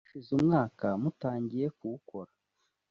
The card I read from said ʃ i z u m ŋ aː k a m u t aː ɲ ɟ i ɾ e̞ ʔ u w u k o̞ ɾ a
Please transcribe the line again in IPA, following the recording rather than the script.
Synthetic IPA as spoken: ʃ i z u m ŋ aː k a m u t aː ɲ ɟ i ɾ e̞ k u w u k o̞ ɾ a